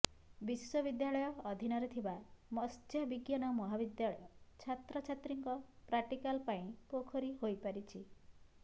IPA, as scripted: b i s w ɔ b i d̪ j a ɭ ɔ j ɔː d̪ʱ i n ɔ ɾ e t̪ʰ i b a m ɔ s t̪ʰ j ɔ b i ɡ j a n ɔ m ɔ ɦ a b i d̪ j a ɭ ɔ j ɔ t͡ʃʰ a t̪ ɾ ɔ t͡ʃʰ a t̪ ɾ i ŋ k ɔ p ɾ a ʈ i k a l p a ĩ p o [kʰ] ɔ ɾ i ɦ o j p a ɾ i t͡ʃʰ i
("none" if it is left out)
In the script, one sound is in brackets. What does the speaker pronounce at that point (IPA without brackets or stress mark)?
kʰ